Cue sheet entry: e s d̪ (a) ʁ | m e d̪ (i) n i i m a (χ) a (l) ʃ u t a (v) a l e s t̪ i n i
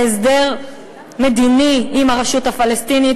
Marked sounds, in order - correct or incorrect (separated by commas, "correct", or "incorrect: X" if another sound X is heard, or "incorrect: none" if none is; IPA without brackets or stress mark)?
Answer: incorrect: e, correct, incorrect: ʁ, incorrect: none, incorrect: f